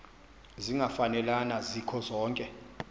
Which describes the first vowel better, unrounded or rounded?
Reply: unrounded